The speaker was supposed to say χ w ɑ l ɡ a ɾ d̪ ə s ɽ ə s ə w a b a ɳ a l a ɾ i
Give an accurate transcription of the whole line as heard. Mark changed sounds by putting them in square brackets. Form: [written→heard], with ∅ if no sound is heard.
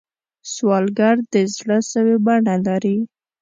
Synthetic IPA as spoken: [χ→s] w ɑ l ɡ a ɾ d̪ ə [s→z] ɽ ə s ə w [a→e] b a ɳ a l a ɾ i